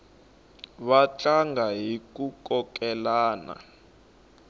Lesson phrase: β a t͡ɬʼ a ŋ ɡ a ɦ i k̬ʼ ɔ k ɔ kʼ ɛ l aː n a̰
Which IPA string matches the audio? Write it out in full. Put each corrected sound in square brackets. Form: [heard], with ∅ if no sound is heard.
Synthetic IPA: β a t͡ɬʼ a ŋ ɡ a ɦ i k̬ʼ [u] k ɔ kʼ ɛ l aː n a̰

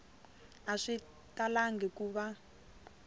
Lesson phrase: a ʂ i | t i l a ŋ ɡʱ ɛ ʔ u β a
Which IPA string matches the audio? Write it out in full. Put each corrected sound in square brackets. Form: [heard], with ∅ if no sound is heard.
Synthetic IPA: a ʂ i | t [a] l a ŋ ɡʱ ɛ [k] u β a

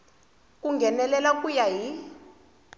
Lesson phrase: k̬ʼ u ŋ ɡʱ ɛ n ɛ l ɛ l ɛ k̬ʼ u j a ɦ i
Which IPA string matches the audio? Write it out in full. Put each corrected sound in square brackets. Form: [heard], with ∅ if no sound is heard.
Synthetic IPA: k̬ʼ u ŋ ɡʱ ɛ n ɛ l ɛ l [a] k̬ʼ u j a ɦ i

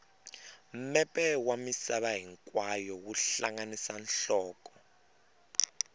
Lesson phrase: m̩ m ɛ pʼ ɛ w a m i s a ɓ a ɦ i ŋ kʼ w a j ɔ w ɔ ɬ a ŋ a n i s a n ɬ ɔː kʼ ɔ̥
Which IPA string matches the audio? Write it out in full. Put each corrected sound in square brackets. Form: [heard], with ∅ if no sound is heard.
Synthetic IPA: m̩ m ɛ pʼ ɛ w a m i s a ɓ a ɦ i ŋ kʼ w a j ɔ w [u] ɬ a ŋ a n i s a n ɬ ɔː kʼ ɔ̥

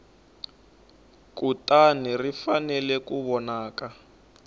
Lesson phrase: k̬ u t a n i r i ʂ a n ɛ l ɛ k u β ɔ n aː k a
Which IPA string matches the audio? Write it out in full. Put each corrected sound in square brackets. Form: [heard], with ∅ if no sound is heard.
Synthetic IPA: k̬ u t a n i r i [f] a n ɛ l ɛ k u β ɔ n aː k a

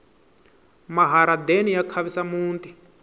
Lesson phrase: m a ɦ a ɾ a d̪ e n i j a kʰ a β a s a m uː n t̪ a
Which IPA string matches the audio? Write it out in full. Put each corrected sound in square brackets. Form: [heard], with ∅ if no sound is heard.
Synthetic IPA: m a ɦ a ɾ a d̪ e n i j a kʰ a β [i] s a m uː n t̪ [i]

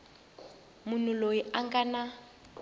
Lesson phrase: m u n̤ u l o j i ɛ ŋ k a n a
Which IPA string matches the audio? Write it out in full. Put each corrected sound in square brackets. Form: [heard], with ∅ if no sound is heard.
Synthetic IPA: m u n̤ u l o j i [a] ŋ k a n a

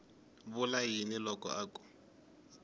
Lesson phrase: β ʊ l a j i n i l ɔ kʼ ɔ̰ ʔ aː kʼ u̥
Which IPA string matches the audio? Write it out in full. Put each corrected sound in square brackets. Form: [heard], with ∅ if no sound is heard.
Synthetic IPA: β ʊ l a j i n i l ɔ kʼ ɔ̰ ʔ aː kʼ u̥

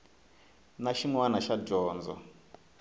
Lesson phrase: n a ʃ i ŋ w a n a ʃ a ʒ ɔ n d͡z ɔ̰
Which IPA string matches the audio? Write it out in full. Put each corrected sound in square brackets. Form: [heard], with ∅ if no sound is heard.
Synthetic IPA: n a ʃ i ŋ w a n a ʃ a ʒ [ɔː] n d͡z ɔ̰

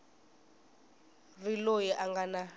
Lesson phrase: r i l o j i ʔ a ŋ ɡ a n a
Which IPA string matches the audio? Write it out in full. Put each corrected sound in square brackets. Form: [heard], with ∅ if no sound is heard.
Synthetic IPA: r i l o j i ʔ a ŋ ɡ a n a

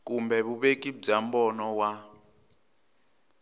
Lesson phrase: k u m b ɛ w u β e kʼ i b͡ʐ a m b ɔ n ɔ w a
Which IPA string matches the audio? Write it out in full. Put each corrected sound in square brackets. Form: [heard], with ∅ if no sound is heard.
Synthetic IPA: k u m b ɛ [β] u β e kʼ i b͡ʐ a m b ɔ n ɔ w a

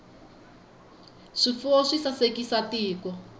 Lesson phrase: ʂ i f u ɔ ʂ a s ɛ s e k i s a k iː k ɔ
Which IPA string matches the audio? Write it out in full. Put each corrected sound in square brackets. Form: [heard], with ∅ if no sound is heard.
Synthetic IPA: ʂ i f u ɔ ʂ [i] s [a] s e k i s a [t] iː k ɔ

